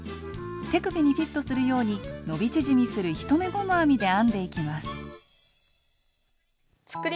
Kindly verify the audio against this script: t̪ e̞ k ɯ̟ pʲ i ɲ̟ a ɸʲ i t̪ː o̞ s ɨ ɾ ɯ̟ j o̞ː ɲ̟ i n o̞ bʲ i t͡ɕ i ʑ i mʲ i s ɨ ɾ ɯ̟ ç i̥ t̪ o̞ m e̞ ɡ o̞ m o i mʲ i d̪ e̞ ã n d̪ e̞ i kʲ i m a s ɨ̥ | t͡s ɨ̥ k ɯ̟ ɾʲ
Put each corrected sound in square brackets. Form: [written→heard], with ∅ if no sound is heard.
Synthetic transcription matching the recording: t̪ e̞ k ɯ̟ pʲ i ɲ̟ [a→i] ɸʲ i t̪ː o̞ s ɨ ɾ ɯ̟ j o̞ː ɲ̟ i n o̞ bʲ i t͡ɕ i ʑ i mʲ i s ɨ ɾ ɯ̟ ç i̥ t̪ o̞ m e̞ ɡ o̞ [m→n] o [i→a] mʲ i d̪ e̞ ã n d̪ e̞ i kʲ i m a s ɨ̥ | t͡s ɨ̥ k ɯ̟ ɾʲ